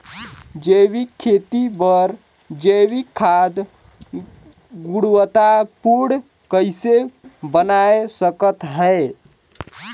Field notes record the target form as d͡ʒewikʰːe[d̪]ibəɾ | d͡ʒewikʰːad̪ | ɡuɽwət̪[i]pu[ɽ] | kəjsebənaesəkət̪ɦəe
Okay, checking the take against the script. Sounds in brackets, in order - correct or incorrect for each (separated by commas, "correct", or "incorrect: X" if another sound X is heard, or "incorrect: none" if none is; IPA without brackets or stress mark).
incorrect: t̪, incorrect: a, correct